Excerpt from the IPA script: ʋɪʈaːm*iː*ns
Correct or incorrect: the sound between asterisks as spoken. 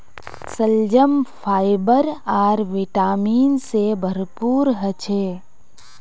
correct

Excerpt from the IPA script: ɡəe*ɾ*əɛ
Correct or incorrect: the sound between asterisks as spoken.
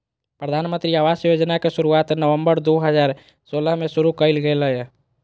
incorrect: l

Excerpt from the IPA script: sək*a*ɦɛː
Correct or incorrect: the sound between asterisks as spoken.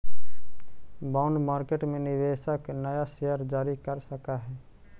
correct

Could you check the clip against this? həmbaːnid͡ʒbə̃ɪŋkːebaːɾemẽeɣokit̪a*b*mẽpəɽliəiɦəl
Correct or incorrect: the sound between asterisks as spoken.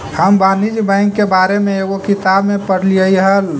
correct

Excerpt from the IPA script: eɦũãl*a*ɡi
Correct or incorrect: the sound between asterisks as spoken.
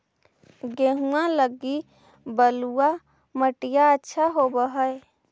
incorrect: ə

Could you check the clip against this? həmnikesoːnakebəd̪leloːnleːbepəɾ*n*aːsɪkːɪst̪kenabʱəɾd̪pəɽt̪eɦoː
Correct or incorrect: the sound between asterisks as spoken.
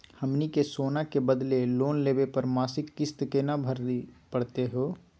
incorrect: m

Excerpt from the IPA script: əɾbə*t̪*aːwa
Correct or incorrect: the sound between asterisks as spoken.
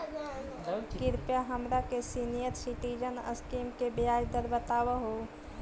correct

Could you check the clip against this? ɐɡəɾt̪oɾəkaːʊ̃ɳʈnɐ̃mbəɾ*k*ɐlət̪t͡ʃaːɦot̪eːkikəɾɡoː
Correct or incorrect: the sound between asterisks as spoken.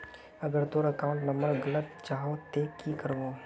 incorrect: ɡ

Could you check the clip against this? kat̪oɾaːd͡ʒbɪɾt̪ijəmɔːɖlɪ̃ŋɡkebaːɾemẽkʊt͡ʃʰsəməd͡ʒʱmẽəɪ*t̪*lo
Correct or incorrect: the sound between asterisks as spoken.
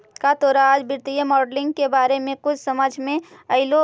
incorrect: none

